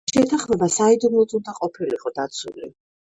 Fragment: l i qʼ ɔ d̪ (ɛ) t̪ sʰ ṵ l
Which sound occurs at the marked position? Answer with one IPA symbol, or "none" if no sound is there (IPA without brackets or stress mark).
a